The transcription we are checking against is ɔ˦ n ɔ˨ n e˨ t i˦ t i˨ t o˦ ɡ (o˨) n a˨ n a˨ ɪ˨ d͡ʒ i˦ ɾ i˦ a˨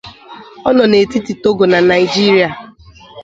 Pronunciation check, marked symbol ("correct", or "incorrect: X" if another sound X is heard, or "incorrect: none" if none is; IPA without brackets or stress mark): correct